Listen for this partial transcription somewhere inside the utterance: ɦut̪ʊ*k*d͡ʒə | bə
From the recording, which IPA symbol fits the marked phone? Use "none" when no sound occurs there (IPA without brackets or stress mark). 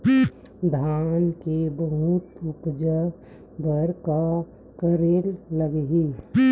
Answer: p